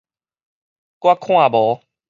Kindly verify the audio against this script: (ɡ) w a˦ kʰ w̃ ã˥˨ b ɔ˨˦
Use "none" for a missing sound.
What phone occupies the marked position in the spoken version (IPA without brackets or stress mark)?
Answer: k